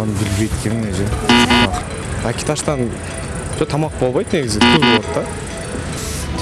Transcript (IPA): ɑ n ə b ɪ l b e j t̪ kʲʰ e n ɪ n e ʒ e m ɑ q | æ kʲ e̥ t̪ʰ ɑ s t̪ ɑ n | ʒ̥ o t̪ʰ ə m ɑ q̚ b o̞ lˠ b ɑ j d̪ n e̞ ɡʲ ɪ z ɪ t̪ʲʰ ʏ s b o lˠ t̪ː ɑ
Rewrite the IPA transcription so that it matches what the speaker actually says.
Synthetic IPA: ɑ n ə b ɪ l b e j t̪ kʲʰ e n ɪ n e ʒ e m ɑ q | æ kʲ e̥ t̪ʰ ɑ ʃ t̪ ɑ n | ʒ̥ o t̪ʰ ɑ m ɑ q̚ b o̞ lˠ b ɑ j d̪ n e̞ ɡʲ ɪ z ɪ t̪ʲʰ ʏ z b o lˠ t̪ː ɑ